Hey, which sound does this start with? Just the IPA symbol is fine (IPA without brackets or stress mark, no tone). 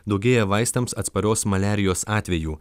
d̪